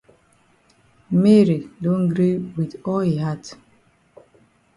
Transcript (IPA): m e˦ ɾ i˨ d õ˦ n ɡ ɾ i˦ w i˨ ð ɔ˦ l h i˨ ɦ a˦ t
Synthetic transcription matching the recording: m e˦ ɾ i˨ d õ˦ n ɡ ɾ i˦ w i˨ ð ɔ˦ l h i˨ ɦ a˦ t